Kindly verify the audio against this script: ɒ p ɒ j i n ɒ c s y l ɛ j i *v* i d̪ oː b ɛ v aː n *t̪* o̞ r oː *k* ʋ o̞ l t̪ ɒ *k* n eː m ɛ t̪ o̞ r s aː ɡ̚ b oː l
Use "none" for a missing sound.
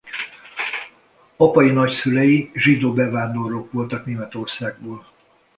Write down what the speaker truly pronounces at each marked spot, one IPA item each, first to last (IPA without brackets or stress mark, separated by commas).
ʒ, d̪, k, k